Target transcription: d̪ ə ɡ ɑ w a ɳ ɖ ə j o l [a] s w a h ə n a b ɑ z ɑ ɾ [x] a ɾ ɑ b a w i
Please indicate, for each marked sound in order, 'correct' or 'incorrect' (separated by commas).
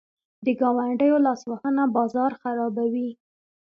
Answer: incorrect, correct